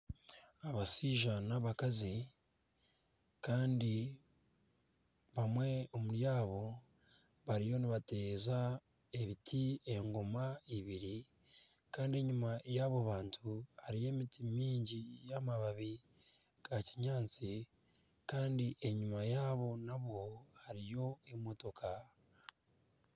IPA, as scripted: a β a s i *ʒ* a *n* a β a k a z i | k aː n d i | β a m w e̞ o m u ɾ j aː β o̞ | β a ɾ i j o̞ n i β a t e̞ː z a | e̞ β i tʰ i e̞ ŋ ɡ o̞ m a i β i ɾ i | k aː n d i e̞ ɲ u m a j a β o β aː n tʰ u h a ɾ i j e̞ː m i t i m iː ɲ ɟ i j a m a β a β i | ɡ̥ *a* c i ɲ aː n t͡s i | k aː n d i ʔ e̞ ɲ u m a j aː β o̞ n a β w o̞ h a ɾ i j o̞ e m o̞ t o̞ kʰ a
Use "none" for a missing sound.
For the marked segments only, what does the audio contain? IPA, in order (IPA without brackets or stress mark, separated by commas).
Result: ʒ, n, a